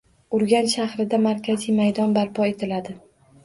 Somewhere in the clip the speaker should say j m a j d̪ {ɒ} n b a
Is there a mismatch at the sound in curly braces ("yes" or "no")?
no